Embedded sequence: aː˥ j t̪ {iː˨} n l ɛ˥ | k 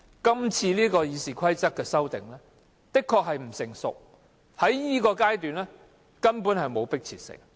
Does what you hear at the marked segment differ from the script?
yes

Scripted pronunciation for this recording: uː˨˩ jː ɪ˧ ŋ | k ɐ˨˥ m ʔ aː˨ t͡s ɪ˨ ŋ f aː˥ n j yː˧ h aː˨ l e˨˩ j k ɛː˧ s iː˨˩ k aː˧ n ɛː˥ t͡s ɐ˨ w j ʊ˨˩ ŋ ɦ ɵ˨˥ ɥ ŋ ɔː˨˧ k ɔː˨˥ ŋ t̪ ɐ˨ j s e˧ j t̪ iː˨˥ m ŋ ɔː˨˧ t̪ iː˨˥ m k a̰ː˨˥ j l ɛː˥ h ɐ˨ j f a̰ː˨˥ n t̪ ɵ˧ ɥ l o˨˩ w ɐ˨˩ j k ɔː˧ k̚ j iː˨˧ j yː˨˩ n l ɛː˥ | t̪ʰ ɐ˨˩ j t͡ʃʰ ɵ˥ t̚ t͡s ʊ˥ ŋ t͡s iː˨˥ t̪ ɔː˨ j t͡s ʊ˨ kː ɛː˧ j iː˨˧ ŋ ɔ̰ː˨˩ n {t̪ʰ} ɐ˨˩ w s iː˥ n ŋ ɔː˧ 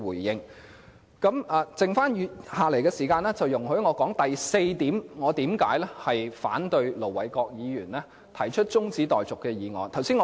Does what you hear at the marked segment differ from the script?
no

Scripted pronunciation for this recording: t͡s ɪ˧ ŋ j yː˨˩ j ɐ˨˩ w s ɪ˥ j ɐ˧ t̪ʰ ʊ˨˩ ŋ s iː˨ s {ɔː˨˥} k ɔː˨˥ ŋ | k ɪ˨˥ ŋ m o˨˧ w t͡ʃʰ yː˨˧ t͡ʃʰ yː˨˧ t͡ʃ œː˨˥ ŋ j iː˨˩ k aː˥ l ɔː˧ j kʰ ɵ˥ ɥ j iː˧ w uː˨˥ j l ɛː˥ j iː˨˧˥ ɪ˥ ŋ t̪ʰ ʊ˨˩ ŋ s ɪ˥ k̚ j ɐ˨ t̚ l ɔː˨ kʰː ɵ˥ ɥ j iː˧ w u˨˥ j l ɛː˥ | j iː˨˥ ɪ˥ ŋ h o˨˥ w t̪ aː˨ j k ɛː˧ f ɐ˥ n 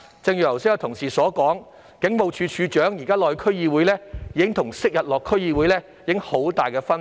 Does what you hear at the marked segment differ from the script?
no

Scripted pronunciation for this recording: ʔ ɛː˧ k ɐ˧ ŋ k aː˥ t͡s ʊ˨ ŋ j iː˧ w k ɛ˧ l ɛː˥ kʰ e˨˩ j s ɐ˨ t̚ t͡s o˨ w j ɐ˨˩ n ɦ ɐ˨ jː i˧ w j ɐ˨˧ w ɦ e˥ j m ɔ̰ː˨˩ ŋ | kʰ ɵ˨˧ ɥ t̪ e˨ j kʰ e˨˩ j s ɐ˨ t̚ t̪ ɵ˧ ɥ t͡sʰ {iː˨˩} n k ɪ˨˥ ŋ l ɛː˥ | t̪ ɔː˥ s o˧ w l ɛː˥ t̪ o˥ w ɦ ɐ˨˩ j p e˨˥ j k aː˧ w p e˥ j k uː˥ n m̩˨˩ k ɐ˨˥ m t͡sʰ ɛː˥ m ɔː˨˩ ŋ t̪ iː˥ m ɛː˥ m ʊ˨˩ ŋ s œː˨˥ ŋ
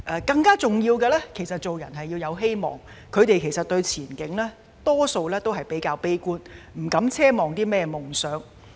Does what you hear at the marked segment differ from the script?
no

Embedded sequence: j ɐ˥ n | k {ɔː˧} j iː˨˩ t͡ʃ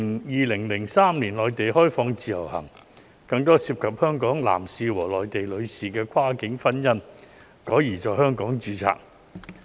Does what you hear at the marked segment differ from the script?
yes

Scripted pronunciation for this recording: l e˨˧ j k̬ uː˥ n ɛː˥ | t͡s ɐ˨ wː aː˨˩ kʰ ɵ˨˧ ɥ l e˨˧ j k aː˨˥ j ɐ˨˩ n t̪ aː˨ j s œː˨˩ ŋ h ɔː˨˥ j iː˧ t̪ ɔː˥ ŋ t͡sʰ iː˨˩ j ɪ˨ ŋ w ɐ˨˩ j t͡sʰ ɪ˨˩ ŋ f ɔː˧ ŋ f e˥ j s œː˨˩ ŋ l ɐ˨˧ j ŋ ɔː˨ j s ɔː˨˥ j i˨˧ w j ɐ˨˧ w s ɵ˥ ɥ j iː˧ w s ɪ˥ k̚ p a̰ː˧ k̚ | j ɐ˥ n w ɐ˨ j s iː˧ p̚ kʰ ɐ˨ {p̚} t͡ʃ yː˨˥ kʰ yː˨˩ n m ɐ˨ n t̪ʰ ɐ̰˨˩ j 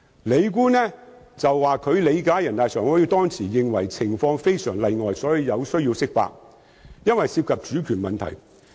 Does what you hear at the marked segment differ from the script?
no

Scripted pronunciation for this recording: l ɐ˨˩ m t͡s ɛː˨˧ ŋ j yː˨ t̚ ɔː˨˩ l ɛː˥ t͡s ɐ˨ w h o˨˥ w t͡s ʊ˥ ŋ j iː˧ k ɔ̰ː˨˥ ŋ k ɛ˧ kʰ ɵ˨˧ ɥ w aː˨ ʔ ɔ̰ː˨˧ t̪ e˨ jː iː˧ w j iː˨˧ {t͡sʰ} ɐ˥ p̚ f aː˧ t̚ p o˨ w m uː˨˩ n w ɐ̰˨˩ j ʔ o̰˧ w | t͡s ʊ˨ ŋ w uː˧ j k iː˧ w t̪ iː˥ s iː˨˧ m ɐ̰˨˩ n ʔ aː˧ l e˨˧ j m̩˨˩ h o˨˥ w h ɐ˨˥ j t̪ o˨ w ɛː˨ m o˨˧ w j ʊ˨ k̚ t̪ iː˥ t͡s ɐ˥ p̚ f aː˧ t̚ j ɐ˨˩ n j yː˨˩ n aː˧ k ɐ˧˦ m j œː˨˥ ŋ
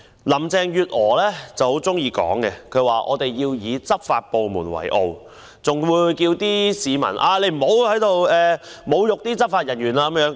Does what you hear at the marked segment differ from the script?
yes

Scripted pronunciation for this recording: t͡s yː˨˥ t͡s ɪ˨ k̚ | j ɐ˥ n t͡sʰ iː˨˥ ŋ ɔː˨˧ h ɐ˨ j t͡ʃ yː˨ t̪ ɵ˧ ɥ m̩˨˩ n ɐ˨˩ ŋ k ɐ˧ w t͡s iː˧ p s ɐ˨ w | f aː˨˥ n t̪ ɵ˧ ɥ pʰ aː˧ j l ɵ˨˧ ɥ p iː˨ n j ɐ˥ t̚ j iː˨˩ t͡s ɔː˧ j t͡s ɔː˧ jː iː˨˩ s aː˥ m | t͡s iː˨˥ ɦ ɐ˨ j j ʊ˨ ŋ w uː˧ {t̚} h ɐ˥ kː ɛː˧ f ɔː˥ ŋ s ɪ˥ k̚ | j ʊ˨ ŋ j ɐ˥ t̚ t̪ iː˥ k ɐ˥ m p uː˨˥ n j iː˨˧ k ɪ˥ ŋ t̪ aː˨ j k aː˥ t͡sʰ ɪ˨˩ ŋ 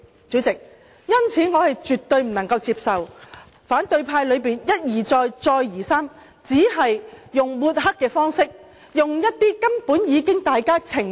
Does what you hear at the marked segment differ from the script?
no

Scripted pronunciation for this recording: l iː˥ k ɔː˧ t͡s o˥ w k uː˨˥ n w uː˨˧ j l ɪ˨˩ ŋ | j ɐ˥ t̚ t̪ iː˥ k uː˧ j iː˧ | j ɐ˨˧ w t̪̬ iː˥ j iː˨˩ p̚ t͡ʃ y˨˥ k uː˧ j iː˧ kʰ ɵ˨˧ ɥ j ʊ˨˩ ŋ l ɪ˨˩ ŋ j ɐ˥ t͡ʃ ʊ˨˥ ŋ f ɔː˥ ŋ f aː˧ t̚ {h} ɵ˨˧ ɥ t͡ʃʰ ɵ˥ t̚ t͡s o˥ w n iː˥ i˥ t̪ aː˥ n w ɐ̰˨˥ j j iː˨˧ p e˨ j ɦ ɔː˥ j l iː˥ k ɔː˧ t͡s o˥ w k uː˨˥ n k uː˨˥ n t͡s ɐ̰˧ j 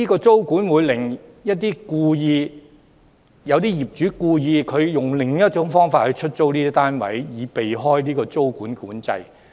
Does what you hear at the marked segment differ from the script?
no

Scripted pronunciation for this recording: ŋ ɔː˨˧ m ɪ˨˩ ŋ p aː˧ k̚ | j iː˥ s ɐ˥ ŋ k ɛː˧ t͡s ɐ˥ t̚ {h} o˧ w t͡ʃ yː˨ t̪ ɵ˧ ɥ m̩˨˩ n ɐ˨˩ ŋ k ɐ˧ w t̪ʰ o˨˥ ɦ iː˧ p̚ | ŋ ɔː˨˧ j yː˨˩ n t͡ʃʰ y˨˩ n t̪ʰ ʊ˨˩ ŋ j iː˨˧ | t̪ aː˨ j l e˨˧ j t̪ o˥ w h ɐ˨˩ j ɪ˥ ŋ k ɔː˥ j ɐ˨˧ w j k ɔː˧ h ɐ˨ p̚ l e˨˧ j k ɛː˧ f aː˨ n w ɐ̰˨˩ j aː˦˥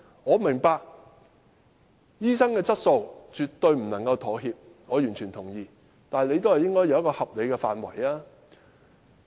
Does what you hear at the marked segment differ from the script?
yes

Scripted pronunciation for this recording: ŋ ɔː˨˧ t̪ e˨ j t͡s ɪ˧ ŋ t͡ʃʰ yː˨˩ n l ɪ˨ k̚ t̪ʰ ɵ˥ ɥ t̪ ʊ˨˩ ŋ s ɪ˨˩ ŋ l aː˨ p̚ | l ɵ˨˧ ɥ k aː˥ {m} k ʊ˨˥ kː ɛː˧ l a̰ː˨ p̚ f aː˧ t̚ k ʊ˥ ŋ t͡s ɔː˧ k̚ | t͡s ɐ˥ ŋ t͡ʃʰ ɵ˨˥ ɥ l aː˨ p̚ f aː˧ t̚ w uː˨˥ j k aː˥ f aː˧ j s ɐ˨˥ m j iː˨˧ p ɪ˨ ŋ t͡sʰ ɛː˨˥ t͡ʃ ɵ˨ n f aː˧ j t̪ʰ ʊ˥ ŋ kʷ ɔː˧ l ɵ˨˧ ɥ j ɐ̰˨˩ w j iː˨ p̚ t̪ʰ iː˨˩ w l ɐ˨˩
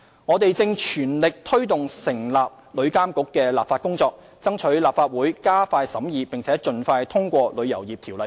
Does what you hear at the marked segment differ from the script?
no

